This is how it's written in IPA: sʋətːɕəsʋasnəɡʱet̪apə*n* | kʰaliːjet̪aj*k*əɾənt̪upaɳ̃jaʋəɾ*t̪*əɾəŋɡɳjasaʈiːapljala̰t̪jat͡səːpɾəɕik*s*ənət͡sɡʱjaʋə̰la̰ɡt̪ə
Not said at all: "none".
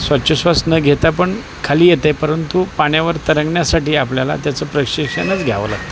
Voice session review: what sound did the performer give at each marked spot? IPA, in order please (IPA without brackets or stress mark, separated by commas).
ɳ, p, t̪, ʂ